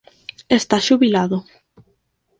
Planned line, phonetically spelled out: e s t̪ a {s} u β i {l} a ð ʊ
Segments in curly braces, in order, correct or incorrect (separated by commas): incorrect, correct